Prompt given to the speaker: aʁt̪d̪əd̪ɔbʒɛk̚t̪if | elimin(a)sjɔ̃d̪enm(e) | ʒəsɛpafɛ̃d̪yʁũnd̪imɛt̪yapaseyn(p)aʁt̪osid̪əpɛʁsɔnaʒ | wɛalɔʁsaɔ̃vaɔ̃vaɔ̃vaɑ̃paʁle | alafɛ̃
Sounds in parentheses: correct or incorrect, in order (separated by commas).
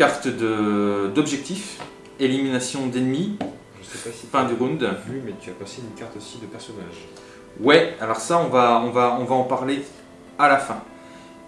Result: correct, incorrect, incorrect